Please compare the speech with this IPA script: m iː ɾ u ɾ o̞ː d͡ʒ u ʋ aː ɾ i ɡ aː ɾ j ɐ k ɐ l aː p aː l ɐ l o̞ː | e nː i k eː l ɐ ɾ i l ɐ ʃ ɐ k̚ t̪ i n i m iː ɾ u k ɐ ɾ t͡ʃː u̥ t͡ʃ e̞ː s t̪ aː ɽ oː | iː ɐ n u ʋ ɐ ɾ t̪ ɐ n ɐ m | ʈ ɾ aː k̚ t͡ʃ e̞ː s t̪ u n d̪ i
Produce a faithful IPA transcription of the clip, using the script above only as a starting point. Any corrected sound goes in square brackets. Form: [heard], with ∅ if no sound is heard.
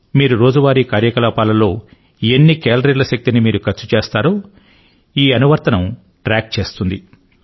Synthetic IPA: m iː ɾ u ɾ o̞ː d͡ʒ u ʋ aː ɾ i [k] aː ɾ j ɐ k ɐ l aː p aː l ɐ l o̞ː | e nː i k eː l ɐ ɾ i l ɐ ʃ ɐ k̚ t̪ i n i m iː ɾ u k ɐ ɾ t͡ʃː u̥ t͡ʃ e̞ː s t̪ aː [ɾ] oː | iː ɐ n u ʋ ɐ ɾ t̪ ɐ n ɐ m | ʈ ɾ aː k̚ t͡ʃ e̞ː s t̪ u n d̪ i

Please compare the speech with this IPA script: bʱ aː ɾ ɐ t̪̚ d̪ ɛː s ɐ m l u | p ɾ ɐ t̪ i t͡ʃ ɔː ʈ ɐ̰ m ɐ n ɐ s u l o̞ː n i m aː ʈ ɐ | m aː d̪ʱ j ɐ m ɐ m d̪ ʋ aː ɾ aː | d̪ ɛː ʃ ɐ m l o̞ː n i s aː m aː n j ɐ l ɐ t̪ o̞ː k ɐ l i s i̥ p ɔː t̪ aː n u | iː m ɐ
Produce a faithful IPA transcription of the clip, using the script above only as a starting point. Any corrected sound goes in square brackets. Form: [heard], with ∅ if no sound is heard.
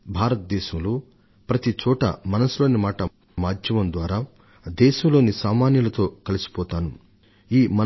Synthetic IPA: bʱ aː ɾ ɐ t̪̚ d̪ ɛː [ʃ] ɐ m l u | p ɾ ɐ t̪ i t͡ʃ ɔː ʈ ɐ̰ m ɐ n ɐ s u l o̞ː n i m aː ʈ ɐ | m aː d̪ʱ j ɐ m ɐ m d̪ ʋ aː ɾ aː | d̪ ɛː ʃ ɐ m l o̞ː n i s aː m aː n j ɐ l ɐ t̪ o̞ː k ɐ l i s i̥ p ɔː t̪ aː n u | iː m ɐ

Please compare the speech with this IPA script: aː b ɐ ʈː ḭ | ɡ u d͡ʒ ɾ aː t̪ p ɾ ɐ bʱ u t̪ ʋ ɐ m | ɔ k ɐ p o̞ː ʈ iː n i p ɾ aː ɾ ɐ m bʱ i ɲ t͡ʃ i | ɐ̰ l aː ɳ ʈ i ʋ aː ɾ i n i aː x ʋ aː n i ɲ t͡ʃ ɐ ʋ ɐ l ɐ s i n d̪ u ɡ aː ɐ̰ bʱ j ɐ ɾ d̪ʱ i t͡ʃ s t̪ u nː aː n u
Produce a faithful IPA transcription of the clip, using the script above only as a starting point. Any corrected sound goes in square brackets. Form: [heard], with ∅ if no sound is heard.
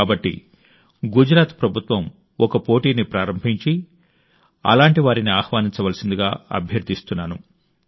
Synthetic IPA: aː b ɐ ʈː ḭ | ɡ u d͡ʒ ɾ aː t̪ p ɾ ɐ bʱ u t̪ ʋ ɐ m | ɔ k ɐ p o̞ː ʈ iː n i p ɾ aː ɾ ɐ m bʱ i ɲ t͡ʃ i | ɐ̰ l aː ɳ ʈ i ʋ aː ɾ i n i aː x ʋ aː n i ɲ t͡ʃ ɐ ʋ ɐ l ɐ s i n d̪ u ɡ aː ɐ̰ bʱ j ɐ ɾ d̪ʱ i [∅] s t̪ u nː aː n u

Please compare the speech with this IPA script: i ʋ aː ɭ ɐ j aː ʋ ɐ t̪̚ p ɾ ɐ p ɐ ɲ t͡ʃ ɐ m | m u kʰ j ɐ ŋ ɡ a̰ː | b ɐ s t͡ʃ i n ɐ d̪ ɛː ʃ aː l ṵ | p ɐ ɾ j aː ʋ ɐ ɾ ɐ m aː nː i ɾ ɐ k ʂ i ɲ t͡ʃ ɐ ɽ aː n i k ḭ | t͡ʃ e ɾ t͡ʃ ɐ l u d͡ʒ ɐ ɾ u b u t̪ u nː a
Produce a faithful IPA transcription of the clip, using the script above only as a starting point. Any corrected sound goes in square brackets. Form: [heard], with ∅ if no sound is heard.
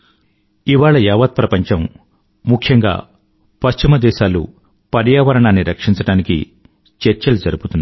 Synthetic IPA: i ʋ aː ɭ ɐ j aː ʋ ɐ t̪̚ p ɾ ɐ p ɐ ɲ t͡ʃ ɐ m | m u kʰ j ɐ ŋ ɡ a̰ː | [p] ɐ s t͡ʃ i [m] ɐ d̪ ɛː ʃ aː l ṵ | p ɐ ɾ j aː ʋ ɐ ɾ ɐ [ɳ] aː nː i ɾ ɐ k ʂ i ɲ t͡ʃ ɐ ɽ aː n i k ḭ | t͡ʃ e ɾ t͡ʃ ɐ l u d͡ʒ ɐ ɾ u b u t̪ u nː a

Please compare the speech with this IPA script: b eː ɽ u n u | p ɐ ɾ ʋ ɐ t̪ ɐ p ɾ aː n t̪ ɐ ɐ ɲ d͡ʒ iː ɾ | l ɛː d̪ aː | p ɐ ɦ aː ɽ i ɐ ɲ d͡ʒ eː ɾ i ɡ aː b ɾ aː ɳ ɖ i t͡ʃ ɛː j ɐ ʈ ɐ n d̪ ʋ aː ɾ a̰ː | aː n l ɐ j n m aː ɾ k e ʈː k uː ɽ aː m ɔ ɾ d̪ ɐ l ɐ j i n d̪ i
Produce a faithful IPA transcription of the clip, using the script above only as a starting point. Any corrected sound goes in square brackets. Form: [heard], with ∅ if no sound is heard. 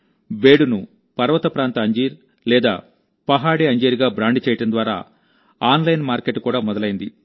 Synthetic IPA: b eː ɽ u n u | p ɐ ɾ ʋ ɐ t̪ ɐ p ɾ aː n t̪ ɐ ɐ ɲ d͡ʒ iː ɾ | l ɛː d̪ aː | p ɐ ɦ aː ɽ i ɐ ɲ d͡ʒ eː ɾ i ɡ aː b ɾ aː ɳ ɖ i t͡ʃ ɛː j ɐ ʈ ɐ n d̪ ʋ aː ɾ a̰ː | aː n l ɐ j n m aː ɾ k e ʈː k uː ɽ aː m ɔ [∅] d̪ ɐ l ɐ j i n d̪ i

